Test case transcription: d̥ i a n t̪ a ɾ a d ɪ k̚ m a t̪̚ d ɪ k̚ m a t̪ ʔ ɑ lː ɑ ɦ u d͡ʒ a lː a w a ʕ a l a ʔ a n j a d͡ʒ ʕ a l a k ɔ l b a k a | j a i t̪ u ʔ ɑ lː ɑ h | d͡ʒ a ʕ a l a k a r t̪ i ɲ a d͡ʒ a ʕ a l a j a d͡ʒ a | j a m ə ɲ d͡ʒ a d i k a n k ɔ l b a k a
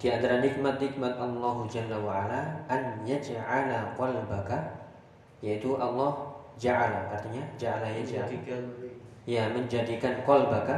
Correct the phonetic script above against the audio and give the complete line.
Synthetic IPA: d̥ i a n t̪ a ɾ a n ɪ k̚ m a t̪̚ n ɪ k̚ m a t̪ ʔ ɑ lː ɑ ɦ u d͡ʒ a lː a w a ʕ a l a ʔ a n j a d͡ʒ ʕ a l a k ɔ l b a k a | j a i t̪ u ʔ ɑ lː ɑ h | d͡ʒ a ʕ a l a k a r t̪ i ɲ a d͡ʒ a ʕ a l a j a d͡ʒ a | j a m ə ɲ d͡ʒ a d i k a n k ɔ l b a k a